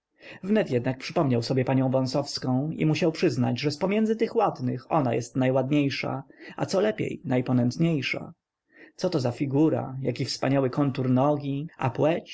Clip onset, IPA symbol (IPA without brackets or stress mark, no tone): v